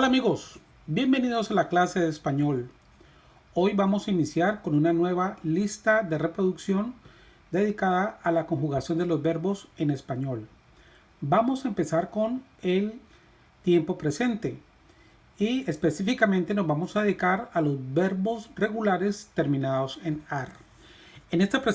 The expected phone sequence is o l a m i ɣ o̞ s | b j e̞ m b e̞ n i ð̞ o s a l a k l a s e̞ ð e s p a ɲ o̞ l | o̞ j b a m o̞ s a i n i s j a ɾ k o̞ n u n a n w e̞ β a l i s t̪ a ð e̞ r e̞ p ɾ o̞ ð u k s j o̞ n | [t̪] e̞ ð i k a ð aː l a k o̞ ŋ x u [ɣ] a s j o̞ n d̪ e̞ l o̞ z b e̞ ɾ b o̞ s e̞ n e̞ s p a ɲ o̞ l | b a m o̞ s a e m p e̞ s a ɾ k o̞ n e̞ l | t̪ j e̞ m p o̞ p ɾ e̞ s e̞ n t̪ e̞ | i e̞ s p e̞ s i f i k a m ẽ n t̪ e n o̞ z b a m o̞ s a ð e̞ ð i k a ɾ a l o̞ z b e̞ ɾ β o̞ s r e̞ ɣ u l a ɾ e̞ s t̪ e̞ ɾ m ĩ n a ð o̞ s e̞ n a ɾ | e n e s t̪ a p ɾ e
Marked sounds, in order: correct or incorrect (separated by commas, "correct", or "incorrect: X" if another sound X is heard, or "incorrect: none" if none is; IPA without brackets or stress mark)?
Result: incorrect: d̪, correct